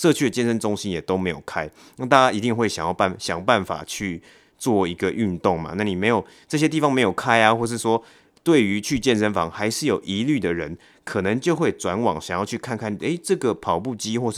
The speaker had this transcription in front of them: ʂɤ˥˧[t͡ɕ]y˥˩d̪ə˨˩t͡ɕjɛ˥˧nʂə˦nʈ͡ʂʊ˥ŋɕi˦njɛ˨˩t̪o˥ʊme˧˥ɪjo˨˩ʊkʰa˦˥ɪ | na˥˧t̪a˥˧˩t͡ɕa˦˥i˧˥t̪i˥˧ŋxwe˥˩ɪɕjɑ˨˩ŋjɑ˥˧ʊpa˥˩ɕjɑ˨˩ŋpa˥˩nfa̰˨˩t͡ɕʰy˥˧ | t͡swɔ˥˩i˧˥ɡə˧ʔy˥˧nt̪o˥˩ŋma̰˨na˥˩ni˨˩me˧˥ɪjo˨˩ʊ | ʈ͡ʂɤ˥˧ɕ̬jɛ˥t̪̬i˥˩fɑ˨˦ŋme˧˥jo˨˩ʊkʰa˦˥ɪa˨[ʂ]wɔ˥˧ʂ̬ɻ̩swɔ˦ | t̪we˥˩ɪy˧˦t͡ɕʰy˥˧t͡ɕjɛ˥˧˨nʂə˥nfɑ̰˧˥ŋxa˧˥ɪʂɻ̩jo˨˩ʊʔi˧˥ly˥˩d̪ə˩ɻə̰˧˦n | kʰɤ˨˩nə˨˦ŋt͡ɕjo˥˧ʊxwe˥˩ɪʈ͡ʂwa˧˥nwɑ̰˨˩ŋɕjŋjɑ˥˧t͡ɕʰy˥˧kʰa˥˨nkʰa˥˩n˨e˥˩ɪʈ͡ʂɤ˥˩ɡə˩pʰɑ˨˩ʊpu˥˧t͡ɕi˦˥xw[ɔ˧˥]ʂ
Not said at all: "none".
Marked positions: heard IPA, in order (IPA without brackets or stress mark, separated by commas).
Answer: t͡ɕʰ, x, ɔ˥˧